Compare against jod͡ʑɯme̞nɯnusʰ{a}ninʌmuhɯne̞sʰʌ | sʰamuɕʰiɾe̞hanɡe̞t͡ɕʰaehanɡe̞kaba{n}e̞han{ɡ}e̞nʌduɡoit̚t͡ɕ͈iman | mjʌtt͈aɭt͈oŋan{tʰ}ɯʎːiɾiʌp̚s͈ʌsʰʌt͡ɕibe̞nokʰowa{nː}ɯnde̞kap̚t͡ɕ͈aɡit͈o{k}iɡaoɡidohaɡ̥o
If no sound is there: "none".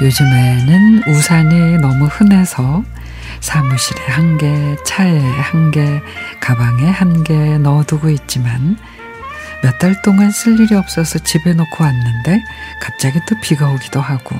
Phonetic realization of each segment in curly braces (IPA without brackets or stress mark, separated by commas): a, ŋ, ɡ, sʰ, nː, p